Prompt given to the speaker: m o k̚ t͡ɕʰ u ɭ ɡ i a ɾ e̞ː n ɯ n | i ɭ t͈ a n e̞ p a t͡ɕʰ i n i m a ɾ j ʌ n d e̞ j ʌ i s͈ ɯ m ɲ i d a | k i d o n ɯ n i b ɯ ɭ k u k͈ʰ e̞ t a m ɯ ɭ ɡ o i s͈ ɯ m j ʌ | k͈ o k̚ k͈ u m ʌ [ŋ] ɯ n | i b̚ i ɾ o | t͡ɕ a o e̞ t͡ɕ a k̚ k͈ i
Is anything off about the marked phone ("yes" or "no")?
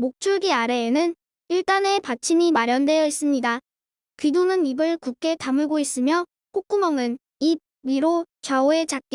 no